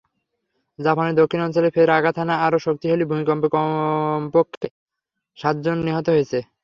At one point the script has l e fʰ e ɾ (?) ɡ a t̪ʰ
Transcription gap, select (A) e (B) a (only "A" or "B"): B